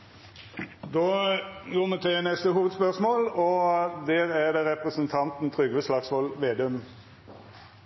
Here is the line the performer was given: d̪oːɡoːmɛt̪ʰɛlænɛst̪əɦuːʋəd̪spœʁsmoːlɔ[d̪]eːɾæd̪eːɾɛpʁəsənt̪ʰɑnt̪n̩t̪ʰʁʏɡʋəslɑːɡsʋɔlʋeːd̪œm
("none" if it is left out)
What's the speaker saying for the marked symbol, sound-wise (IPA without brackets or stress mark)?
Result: d̪